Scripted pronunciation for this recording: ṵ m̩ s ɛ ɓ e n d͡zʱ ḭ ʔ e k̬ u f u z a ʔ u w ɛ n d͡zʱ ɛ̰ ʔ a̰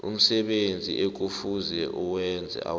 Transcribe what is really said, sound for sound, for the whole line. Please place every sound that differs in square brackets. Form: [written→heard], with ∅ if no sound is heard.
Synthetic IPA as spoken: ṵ m̩ s ɛ ɓ e n d͡zʱ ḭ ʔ e k̬ u f u z [a→ɛ] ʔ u w ɛ n d͡zʱ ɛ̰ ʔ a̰